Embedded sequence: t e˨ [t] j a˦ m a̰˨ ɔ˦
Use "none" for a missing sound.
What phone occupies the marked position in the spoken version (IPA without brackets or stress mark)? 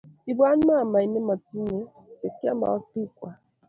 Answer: k